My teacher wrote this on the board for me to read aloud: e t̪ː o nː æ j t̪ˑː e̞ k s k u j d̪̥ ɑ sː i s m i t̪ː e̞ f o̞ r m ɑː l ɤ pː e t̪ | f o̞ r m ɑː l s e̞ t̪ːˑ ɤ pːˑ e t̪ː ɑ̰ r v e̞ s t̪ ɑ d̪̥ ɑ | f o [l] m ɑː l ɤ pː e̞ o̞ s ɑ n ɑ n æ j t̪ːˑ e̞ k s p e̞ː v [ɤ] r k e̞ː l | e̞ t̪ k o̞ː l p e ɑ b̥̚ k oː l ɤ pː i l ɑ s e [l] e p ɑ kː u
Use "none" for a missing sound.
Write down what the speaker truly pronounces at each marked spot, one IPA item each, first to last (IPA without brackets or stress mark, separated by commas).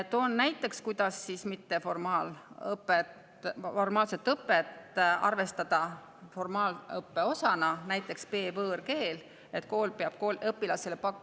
r, ɤː, l